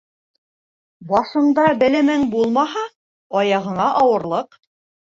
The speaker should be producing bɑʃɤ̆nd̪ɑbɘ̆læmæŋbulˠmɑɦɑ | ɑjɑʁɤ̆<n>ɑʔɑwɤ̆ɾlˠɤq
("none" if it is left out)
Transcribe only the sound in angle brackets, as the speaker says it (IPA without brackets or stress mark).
ɴ